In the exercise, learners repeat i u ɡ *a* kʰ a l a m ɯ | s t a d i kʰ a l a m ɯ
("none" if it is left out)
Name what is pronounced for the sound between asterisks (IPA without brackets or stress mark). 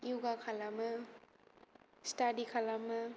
a